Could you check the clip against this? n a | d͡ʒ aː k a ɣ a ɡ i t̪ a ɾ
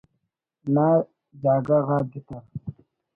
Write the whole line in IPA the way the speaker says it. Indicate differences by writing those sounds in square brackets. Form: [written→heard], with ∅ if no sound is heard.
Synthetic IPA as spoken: n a | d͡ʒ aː [k→ɡ] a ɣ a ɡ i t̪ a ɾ